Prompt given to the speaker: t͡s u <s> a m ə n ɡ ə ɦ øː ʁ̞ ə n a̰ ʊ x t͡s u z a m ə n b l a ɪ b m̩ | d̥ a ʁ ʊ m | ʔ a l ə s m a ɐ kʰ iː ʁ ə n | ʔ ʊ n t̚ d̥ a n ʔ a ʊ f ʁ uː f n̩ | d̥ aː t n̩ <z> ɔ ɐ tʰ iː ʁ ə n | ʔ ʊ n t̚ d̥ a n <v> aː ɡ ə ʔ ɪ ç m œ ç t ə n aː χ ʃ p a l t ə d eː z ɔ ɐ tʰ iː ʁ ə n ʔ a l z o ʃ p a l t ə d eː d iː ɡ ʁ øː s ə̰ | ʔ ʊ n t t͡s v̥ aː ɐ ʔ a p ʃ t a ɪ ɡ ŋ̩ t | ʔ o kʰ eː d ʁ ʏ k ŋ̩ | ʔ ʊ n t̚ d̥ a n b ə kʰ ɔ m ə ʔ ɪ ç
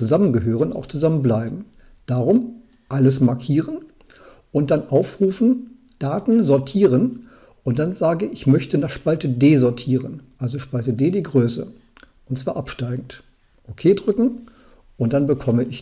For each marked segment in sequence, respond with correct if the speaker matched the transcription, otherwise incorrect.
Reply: incorrect: z, correct, incorrect: z

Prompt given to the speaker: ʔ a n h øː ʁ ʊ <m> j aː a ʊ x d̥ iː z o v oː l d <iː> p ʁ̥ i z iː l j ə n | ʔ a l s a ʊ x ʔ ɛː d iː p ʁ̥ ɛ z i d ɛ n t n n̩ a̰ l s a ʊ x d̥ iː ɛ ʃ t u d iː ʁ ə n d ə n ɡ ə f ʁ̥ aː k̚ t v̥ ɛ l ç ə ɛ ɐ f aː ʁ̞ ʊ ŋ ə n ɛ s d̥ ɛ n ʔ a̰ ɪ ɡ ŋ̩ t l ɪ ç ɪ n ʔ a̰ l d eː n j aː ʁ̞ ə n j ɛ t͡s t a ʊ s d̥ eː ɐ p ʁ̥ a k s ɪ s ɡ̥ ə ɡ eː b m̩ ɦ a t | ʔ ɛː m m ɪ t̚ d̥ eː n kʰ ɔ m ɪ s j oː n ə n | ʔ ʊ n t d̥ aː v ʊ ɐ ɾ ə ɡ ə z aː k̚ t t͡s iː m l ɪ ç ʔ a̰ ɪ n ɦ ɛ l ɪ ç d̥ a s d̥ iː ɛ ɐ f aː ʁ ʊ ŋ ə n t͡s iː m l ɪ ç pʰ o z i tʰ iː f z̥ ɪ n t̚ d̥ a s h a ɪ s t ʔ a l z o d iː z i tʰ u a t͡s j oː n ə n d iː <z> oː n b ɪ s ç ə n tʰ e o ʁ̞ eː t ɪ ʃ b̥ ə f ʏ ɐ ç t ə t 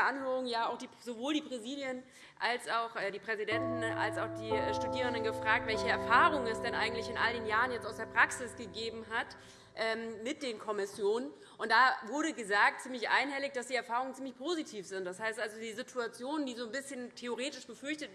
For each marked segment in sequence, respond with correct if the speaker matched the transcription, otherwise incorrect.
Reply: incorrect: ŋ, correct, correct

